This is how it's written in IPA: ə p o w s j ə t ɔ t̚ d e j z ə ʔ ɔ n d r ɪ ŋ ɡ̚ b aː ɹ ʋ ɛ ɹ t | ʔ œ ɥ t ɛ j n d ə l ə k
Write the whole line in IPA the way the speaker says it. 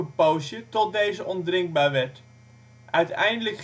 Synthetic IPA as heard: ə p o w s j ə t ɔ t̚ d e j z ə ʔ ɔ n d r ɪ ŋ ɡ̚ b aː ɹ ʋ ɛ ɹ t | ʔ œ ɥ t ɛ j n d ə l ə k